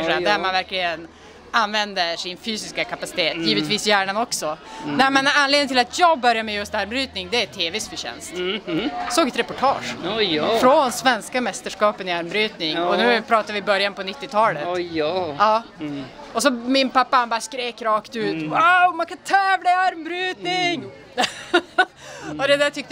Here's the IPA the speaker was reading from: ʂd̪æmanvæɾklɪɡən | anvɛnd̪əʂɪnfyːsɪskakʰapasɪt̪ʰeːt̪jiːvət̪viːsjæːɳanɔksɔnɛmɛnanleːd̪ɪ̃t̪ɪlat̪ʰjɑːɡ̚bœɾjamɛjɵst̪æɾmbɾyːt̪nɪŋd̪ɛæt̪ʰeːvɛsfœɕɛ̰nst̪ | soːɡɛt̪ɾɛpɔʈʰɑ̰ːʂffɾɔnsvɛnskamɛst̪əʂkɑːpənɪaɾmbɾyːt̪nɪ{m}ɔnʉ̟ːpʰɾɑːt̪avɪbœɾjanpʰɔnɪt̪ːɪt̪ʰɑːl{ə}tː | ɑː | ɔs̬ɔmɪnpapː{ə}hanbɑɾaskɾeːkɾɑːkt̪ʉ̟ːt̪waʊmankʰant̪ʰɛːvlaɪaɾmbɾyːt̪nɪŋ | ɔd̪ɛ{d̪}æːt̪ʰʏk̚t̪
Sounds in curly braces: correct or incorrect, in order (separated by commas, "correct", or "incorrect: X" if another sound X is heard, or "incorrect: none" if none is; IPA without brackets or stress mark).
incorrect: ŋ, correct, incorrect: a, correct